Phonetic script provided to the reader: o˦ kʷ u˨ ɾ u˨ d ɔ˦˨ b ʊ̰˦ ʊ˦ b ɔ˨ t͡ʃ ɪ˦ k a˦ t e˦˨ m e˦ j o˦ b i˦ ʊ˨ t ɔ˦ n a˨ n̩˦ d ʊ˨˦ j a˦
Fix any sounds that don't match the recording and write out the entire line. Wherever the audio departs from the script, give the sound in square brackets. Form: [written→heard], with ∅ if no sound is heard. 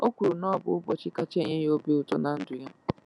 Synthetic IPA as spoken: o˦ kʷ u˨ ɾ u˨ [d→n] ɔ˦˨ b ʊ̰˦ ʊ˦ b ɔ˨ t͡ʃ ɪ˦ k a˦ [t→t͡ʃ] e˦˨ [m→ɲ] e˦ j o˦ b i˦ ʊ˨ t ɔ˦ n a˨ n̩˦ d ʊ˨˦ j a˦